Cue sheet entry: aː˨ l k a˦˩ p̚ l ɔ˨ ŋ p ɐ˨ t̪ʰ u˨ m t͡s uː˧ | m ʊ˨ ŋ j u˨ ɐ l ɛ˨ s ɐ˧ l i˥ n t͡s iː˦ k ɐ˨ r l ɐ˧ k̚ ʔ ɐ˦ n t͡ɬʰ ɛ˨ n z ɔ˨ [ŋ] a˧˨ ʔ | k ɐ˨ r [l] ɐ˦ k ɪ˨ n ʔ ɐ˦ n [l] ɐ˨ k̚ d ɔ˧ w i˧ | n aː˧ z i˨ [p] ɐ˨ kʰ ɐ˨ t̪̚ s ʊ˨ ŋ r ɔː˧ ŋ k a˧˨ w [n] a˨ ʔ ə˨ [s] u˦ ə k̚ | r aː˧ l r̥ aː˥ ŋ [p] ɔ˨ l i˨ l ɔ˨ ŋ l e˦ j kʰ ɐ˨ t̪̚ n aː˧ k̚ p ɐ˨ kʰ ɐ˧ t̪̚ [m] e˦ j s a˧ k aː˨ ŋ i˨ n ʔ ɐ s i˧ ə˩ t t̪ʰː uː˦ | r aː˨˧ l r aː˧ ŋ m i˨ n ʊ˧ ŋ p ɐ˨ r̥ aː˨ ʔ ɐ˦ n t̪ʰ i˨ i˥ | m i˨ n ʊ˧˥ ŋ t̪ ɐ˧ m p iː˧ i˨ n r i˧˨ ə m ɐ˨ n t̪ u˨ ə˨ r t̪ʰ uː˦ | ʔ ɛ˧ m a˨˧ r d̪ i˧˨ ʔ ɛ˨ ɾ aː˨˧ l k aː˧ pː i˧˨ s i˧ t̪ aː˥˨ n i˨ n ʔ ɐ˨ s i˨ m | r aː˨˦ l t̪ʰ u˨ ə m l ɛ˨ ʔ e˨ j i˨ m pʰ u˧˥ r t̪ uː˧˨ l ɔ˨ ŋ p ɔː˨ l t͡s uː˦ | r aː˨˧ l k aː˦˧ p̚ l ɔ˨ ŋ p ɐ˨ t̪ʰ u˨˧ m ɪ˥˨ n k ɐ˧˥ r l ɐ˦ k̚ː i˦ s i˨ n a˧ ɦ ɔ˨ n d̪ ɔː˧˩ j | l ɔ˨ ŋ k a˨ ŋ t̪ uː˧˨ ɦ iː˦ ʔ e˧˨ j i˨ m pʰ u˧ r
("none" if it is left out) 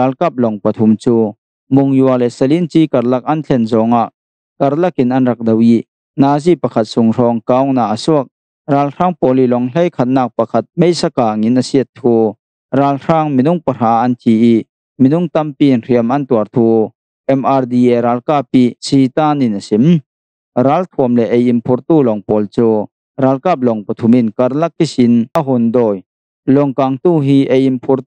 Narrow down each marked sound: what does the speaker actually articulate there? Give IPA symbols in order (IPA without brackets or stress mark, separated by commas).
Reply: ŋ, l, r, p, n, s, p, m